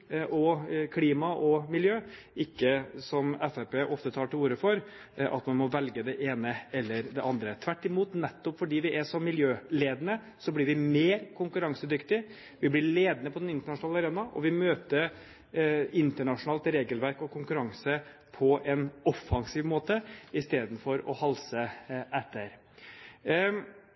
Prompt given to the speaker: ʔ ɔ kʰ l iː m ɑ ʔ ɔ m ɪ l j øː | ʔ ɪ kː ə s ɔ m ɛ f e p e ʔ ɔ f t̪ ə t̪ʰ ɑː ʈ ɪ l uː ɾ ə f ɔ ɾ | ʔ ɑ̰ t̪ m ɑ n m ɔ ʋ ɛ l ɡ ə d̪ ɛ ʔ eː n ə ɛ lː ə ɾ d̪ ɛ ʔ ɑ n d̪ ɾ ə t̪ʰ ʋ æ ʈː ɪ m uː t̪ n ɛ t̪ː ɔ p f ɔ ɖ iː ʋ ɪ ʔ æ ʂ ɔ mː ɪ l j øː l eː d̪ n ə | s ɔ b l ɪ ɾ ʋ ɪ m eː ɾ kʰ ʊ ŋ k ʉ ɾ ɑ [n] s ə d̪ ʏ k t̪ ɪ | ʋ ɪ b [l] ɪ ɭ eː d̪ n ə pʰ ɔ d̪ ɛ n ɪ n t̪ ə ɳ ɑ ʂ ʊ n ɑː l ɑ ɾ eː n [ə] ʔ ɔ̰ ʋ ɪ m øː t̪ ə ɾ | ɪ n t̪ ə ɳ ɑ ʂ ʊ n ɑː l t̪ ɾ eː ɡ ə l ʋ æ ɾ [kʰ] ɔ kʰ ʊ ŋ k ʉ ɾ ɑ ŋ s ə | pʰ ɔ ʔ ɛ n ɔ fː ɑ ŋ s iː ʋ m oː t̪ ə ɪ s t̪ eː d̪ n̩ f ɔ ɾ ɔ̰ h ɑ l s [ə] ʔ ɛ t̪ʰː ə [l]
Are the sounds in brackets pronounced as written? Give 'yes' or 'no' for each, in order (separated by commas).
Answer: no, yes, no, no, yes, no